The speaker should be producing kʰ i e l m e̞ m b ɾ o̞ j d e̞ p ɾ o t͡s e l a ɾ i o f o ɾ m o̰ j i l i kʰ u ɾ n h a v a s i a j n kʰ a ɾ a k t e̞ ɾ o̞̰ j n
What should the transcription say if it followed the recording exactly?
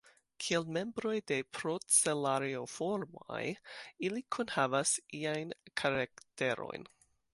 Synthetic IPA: kʰ i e l m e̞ m b ɾ o̞ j d e̞ p ɾ o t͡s e l a ɾ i o f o ɾ m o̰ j i l i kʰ u n h a v a s i a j n kʰ a ɾ a k t e̞ ɾ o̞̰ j n